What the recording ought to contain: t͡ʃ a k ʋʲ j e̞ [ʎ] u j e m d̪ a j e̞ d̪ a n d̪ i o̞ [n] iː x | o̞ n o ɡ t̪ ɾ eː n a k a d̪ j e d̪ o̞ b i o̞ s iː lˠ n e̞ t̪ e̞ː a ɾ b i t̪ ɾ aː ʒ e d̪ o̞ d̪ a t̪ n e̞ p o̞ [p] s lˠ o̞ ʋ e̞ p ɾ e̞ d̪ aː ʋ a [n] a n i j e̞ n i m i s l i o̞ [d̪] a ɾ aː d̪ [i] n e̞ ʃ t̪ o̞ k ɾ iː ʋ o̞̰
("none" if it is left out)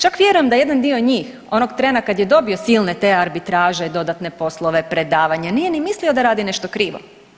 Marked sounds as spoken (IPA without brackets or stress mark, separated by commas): ɾ, ɲ, none, ɲ, d̪, i